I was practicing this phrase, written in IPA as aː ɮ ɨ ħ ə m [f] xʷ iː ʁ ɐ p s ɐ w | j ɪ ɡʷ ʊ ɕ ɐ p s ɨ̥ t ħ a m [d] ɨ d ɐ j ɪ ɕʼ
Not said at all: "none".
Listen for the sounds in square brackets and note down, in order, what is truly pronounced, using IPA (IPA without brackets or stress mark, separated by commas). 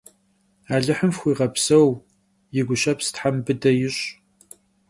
f, b